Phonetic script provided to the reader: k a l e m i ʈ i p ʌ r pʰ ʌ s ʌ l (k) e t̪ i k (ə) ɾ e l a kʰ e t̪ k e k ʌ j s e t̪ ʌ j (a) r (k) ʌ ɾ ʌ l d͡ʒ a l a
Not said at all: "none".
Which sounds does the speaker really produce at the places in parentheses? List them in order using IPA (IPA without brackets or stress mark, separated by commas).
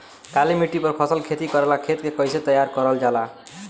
kʰ, ʌ, a, k